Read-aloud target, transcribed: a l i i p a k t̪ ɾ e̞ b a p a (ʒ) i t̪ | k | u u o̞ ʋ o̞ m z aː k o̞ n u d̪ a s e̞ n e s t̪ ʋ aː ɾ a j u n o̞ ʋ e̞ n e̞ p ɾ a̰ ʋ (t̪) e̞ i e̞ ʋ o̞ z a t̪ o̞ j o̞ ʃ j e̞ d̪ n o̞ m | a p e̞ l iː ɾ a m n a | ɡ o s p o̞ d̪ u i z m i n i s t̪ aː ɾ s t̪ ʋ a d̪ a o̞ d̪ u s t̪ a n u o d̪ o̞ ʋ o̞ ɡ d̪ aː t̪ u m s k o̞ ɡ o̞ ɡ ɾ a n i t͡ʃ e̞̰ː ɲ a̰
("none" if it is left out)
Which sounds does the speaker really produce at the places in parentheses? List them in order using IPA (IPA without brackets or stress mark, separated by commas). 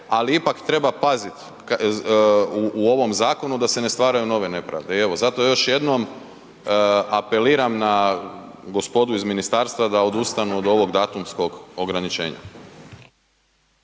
z, d̪